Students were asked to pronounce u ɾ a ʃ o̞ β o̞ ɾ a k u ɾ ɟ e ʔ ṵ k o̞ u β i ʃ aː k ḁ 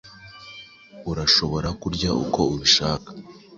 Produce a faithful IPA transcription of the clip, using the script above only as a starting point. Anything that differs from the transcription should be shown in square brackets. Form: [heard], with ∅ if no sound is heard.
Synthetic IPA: u ɾ a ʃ o̞ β o̞ ɾ a k u ɾ ɟ [a] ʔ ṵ k o̞ u β i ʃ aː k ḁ